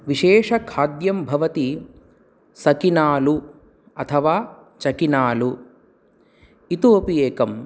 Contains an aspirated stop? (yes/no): yes